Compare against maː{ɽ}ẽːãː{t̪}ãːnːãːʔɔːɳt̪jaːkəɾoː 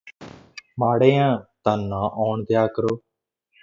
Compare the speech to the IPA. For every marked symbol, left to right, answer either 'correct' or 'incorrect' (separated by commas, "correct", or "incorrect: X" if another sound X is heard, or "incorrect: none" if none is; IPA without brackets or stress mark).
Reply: correct, correct